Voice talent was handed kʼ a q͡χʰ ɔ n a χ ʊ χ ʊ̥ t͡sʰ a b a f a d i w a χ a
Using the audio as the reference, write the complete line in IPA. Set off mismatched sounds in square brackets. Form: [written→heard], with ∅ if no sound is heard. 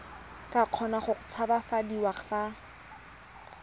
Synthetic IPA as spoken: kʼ a q͡χʰ ɔ n a χ ʊ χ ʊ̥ t͡sʰ a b a f a d i w a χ a